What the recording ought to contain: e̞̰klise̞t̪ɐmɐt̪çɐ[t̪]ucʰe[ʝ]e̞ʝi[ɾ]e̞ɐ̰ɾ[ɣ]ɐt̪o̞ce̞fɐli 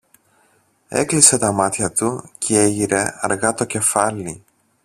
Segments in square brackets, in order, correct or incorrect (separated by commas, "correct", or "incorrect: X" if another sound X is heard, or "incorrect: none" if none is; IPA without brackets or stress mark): correct, incorrect: none, correct, correct